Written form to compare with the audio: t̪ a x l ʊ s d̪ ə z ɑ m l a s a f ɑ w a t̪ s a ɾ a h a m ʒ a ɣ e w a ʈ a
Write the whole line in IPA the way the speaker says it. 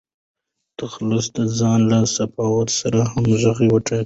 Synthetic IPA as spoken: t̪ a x l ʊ s d̪ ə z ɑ n l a s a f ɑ w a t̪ s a ɾ a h a m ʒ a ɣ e w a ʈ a